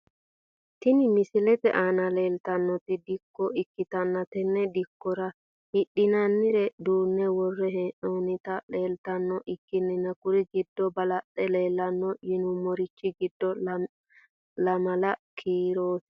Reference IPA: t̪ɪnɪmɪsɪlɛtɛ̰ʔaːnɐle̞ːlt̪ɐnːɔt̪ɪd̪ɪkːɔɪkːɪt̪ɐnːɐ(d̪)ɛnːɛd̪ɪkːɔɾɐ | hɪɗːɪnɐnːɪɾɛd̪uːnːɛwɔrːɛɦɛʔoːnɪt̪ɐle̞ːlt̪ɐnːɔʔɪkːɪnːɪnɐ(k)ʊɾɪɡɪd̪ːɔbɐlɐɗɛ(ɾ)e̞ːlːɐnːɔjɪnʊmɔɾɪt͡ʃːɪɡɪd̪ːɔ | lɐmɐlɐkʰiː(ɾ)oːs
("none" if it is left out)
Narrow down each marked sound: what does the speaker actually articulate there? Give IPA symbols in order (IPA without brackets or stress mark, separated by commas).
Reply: t̪, k, l, ɾ